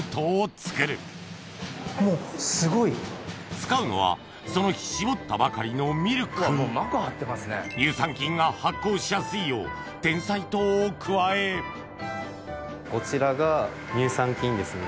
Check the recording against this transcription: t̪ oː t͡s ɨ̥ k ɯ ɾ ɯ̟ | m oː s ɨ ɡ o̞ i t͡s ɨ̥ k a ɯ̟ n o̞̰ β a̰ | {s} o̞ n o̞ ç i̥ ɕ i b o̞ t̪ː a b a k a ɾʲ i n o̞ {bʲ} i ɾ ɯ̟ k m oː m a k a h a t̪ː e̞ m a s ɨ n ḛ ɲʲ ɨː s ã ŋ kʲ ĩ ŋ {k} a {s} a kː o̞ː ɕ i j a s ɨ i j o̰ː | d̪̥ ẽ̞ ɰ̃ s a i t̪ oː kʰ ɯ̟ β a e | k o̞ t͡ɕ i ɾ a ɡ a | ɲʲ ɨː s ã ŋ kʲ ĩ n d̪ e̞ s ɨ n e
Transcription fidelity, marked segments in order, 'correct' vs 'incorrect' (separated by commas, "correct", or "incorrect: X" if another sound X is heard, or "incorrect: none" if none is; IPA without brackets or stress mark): correct, incorrect: mʲ, incorrect: ɡ, incorrect: h